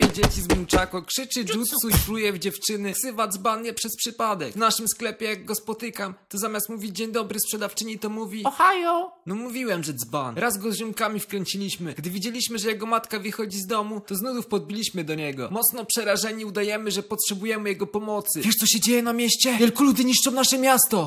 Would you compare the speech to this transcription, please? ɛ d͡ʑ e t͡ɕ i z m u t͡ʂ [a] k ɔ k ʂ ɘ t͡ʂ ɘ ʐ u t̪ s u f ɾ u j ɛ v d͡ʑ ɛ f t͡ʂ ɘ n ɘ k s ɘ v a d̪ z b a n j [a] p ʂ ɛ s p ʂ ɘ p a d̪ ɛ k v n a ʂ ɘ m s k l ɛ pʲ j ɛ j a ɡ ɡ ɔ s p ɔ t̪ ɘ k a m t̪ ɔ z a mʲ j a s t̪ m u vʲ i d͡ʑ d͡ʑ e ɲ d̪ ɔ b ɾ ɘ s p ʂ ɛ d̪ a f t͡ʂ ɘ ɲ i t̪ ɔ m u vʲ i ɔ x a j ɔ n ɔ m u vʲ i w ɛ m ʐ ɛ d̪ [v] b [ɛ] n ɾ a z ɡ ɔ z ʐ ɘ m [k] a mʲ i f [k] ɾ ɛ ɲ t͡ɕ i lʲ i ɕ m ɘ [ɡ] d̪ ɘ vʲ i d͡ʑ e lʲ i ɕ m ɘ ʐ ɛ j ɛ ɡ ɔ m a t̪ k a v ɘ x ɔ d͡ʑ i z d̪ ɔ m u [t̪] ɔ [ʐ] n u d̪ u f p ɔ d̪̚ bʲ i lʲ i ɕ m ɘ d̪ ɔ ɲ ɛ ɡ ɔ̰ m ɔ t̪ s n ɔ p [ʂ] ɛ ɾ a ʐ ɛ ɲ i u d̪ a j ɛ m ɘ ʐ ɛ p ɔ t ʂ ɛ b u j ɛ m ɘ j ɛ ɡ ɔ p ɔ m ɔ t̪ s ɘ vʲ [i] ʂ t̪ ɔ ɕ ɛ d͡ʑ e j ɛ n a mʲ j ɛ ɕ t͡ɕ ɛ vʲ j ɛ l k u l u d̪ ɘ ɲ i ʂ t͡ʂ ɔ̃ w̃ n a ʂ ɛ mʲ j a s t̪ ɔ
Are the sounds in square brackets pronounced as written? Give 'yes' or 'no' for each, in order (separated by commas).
yes, no, no, no, yes, yes, yes, yes, no, yes, no